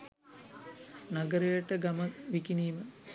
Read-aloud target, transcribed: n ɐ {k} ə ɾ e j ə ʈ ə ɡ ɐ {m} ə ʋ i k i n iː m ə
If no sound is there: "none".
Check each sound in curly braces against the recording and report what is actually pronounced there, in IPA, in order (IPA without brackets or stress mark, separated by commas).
ɡ, m